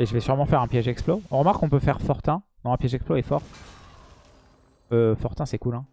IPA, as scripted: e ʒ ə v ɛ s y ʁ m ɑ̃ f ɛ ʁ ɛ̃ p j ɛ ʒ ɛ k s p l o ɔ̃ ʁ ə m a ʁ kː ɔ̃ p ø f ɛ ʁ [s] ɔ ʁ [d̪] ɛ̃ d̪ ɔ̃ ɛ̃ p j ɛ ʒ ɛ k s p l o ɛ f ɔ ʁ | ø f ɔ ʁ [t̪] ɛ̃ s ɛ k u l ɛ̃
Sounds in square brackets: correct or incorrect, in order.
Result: incorrect, incorrect, correct

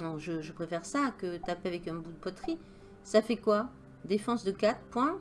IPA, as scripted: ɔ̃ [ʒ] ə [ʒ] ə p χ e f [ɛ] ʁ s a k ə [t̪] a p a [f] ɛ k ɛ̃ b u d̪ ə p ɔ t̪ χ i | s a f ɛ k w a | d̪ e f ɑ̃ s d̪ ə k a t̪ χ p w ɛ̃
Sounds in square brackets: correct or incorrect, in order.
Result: correct, correct, correct, correct, incorrect

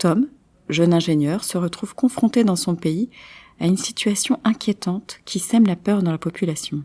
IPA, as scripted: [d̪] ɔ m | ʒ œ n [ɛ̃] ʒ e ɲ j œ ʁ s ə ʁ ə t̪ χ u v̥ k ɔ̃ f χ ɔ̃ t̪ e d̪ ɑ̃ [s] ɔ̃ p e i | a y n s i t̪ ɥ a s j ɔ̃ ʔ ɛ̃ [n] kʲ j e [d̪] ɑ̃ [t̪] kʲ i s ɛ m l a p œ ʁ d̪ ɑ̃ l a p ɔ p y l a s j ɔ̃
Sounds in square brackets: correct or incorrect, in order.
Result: incorrect, correct, correct, incorrect, incorrect, correct

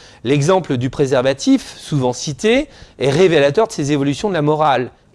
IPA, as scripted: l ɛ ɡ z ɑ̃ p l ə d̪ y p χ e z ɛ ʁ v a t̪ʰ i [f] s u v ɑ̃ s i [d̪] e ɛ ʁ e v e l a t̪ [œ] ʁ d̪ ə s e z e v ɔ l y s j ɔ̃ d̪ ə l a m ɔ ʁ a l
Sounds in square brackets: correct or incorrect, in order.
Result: correct, incorrect, correct

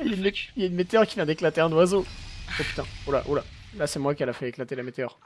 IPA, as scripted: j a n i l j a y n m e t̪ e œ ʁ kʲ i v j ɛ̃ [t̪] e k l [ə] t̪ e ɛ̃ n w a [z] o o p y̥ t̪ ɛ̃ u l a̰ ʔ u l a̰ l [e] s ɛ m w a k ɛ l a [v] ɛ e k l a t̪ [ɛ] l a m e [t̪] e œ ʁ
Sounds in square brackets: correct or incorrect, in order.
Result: incorrect, incorrect, correct, incorrect, incorrect, incorrect, correct

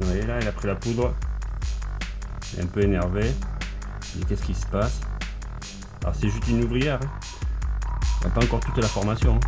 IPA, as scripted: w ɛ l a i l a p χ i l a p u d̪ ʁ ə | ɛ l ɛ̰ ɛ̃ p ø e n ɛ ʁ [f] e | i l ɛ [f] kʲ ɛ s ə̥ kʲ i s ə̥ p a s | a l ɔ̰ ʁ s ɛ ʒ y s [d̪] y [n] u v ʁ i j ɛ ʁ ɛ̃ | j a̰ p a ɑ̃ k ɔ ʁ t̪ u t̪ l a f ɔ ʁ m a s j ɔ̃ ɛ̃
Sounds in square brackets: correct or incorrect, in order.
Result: incorrect, incorrect, incorrect, correct

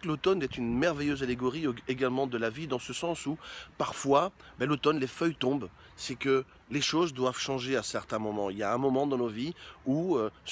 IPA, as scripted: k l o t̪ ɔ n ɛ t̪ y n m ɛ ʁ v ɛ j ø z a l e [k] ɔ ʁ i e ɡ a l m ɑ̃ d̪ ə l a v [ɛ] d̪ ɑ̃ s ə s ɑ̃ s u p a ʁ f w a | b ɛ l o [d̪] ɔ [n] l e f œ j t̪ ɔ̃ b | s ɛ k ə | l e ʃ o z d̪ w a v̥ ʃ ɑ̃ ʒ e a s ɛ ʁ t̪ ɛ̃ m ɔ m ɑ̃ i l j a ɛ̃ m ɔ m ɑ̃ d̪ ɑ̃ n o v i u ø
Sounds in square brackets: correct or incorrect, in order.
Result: incorrect, incorrect, incorrect, correct

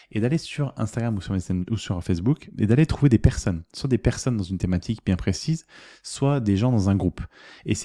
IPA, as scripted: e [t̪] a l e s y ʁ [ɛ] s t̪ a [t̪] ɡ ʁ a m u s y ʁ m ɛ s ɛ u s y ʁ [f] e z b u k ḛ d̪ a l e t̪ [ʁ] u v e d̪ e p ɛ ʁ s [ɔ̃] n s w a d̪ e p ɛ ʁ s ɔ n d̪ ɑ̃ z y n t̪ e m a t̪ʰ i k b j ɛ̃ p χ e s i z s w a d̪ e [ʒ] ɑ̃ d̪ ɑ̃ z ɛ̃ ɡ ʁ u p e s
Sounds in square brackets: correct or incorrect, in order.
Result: incorrect, incorrect, incorrect, correct, incorrect, incorrect, correct

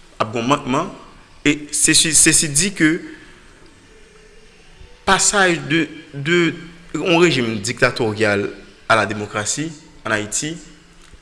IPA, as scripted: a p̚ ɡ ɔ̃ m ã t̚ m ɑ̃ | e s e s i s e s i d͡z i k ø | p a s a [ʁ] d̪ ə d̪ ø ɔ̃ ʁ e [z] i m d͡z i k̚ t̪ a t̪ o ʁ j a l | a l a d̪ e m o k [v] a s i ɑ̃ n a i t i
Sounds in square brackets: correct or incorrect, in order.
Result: incorrect, incorrect, incorrect

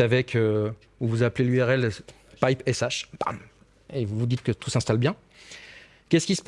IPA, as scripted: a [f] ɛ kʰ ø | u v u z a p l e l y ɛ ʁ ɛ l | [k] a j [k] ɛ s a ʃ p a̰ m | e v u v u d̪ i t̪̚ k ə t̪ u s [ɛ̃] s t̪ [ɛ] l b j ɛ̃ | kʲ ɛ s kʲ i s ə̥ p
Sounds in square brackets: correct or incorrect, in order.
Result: incorrect, incorrect, incorrect, correct, incorrect

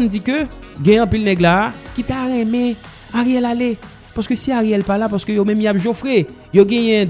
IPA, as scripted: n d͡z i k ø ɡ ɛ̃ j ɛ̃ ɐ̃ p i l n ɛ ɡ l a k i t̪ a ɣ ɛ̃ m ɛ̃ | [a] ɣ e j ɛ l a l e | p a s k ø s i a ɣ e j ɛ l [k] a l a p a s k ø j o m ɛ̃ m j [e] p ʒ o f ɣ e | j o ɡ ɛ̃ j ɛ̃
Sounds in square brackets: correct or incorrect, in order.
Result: correct, incorrect, incorrect

